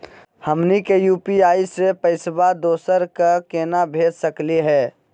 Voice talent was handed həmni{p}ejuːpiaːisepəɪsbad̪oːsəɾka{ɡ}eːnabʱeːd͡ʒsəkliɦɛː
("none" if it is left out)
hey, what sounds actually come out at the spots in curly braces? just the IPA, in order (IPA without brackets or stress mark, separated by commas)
k, k